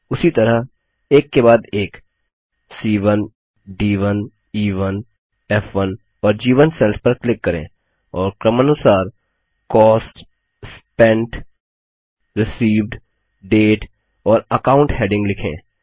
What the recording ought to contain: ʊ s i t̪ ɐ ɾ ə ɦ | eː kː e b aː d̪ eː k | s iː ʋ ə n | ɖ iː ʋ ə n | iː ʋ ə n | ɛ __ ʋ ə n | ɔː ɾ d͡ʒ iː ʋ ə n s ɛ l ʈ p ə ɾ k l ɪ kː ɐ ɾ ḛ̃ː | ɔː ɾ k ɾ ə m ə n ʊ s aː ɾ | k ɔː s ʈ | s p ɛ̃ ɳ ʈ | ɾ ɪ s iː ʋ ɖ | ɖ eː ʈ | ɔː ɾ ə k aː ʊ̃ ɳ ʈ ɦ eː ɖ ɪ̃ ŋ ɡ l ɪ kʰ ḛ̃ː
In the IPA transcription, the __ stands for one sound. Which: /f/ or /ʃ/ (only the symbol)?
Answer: f